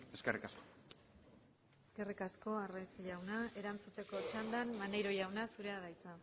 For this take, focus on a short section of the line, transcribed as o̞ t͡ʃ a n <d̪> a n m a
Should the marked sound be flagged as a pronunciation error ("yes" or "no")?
no